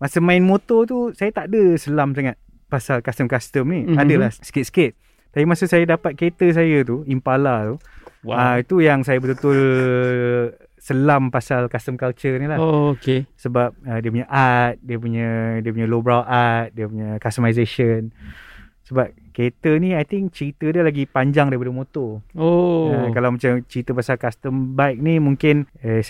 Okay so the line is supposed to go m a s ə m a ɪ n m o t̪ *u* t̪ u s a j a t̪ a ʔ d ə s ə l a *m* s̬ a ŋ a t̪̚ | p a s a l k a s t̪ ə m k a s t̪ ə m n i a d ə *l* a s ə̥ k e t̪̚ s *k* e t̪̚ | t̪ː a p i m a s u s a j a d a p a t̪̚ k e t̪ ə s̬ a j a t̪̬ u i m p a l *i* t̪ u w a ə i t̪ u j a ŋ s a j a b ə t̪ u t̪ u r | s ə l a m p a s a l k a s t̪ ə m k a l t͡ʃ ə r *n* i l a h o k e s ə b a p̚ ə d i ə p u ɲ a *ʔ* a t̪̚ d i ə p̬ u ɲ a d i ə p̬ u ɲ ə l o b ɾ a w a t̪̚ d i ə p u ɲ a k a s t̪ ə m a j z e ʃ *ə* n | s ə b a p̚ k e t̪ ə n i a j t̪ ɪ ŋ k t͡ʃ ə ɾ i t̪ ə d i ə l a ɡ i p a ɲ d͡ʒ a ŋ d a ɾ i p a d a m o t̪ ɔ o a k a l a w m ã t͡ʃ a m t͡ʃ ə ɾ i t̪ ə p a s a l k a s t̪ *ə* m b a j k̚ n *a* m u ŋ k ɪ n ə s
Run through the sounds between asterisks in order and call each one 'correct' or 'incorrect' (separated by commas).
incorrect, correct, correct, correct, incorrect, correct, correct, correct, correct, incorrect